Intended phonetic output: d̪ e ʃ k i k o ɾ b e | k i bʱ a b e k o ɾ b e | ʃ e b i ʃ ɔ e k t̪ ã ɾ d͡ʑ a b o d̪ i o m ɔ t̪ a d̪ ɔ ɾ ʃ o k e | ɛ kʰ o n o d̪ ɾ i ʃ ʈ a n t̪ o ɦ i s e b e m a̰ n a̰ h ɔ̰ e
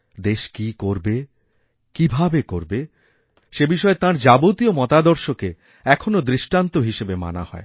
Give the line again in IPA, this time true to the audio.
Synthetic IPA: d̪ e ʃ k i k o ɾ b e | k i bʱ a b e k o ɾ b e | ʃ e b i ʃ ɔ e t̪ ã ɾ d͡ʑ a b o t̪ i o m ɔ t̪ a d̪ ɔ ɾ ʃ o k e | ɛ kʰ o n o d̪ ɾ i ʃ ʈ a n t̪ o ɦ i ʃ e b e m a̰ n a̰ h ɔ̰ e